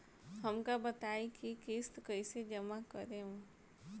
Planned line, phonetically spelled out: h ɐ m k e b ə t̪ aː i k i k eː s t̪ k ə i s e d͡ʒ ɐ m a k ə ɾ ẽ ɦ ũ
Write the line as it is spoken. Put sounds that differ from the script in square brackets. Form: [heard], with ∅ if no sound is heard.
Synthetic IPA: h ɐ m k [a] b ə t̪ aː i k i k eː s t̪ k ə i s e d͡ʒ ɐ m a k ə ɾ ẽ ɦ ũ